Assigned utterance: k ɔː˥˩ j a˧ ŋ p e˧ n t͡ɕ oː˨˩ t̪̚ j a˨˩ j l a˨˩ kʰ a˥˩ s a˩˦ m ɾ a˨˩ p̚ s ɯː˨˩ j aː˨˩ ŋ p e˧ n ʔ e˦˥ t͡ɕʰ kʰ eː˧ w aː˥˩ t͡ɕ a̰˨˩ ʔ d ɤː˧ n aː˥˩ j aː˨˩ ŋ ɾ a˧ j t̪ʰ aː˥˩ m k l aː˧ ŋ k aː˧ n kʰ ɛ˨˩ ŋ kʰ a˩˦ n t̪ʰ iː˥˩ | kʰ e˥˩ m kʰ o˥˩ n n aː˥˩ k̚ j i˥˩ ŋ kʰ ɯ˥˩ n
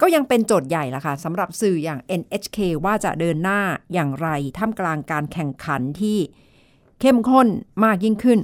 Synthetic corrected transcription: k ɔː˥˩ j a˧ ŋ p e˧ n t͡ɕ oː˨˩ t̪̚ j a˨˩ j l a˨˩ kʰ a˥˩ s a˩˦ m ɾ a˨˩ p̚ s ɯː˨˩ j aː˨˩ ŋ ʔ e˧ n ʔ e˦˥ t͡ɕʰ kʰ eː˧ w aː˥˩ t͡ɕ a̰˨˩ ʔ d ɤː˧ nː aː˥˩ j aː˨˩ ŋ ɾ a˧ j t̪ʰ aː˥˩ m k l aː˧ ŋ k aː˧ n kʰ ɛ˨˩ ŋ kʰ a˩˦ n t̪ʰ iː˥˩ | kʰ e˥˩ m kʰ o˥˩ n m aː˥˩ k̚ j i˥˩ ŋ kʰ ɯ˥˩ n